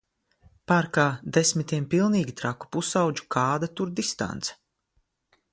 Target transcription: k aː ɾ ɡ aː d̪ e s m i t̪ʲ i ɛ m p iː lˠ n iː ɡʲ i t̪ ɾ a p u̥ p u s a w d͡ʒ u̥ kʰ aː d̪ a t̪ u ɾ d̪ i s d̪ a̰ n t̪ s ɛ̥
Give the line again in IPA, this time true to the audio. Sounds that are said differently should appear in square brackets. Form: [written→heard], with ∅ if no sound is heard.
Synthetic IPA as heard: [k→p] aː ɾ [ɡ→k] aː d̪ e s m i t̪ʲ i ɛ m p [iː→i] lˠ n iː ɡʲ i t̪ ɾ a [p→k] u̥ p u s a w d͡ʒ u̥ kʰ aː d̪ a t̪ u ɾ d̪ i s [d̪→t̪] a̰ n t̪ s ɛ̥